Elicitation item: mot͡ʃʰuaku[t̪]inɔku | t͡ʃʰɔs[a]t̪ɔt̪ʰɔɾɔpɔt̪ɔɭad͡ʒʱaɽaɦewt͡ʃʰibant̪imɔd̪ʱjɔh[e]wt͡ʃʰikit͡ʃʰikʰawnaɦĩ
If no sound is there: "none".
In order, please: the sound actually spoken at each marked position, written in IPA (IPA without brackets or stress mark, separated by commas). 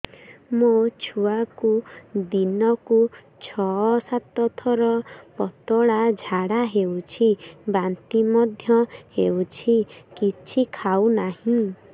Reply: d̪, a, e